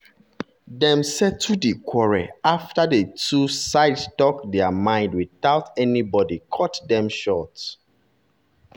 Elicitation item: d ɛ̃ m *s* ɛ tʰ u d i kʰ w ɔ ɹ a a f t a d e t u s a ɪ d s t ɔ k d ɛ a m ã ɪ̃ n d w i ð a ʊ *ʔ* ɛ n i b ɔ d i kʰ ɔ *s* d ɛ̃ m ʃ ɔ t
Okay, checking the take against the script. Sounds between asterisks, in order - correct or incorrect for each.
correct, incorrect: t, incorrect: t

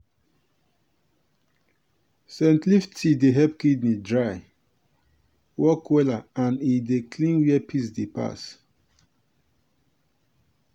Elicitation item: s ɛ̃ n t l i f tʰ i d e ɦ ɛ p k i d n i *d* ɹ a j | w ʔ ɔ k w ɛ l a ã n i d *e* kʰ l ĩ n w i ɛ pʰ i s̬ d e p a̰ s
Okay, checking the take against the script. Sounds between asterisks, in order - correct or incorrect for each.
correct, correct

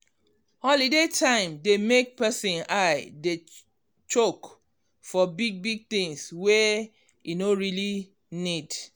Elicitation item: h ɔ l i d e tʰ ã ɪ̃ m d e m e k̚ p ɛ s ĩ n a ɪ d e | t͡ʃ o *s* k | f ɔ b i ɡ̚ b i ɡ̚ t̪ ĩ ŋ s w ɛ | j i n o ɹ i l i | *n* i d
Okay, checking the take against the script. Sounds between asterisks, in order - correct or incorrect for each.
incorrect: none, correct

